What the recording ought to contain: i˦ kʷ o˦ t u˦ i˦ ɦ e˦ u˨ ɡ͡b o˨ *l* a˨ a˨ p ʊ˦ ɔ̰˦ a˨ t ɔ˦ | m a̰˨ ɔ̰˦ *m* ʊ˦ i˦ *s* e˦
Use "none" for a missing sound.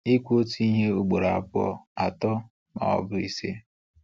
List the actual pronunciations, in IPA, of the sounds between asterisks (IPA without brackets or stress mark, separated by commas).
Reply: ɾ, b, s